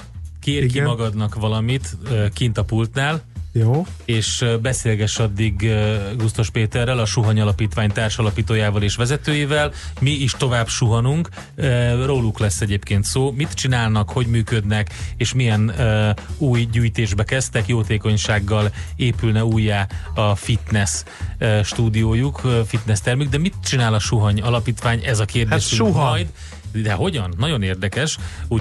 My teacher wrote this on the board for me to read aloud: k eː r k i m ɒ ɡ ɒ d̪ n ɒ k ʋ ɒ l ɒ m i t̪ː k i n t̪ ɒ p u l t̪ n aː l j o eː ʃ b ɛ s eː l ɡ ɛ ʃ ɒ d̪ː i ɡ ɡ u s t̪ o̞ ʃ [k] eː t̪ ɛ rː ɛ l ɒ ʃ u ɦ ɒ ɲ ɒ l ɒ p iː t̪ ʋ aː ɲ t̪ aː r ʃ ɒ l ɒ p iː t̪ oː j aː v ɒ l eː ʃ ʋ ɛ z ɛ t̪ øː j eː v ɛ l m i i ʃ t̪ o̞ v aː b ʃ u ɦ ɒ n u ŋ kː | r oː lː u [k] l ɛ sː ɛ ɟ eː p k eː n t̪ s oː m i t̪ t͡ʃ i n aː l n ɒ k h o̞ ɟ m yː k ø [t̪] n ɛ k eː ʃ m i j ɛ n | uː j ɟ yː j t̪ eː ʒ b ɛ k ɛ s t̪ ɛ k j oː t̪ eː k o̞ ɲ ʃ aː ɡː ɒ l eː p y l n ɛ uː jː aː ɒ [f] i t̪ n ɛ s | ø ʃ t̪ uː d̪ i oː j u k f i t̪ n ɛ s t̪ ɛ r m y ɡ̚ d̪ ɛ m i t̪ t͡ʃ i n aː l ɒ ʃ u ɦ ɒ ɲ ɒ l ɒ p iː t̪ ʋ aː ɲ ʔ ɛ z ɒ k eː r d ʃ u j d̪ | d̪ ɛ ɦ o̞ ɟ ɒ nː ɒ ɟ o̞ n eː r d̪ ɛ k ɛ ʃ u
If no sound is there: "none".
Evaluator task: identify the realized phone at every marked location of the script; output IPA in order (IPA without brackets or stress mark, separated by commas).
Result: p, k, d̪, f